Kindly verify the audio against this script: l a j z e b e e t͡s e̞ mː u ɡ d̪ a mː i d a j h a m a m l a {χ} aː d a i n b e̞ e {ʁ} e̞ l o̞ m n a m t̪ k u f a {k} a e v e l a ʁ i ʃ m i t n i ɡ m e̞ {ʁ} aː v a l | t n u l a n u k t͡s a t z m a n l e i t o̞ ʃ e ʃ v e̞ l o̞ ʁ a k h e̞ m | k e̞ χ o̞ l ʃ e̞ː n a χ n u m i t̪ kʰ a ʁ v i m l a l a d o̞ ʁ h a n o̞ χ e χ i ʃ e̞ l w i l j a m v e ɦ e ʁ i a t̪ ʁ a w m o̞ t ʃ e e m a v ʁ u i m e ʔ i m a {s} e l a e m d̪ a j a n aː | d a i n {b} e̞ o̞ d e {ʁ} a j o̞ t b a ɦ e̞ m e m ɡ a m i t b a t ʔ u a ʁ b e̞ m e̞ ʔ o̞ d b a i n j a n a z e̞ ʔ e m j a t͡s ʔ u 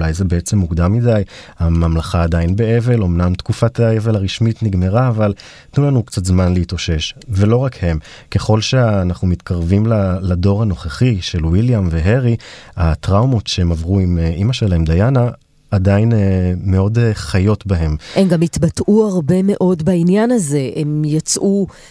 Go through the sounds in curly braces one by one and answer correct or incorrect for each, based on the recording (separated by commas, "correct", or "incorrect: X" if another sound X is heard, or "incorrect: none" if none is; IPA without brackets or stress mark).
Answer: correct, incorrect: v, incorrect: t, correct, incorrect: ʃ, incorrect: m, incorrect: χ